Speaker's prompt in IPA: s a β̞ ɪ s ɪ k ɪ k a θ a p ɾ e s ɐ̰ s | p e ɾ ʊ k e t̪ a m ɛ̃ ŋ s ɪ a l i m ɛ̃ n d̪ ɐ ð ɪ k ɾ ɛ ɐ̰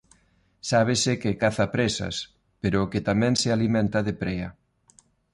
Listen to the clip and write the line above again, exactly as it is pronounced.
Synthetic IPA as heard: s a β̞ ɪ s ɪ k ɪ k a θ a p ɾ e s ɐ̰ s | p e ɾ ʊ k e t̪ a m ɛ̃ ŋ s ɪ a l i m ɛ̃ n t̪ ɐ ð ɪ p ɾ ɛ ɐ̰